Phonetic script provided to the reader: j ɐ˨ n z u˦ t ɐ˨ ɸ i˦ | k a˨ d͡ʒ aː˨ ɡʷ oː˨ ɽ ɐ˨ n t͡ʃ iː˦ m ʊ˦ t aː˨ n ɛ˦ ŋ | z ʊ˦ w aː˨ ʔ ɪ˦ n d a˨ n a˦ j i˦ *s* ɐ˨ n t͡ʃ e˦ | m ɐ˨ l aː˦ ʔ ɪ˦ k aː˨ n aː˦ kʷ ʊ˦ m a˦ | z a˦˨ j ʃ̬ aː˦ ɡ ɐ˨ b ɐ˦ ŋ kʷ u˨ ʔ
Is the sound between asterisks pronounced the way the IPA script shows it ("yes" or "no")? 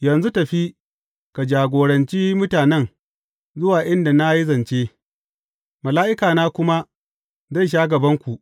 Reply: no